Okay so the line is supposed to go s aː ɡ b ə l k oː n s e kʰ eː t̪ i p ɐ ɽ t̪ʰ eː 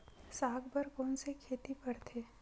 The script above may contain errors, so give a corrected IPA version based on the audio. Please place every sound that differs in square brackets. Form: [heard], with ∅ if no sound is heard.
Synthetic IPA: s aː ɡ b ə [ɾ] k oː n s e kʰ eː t̪ i p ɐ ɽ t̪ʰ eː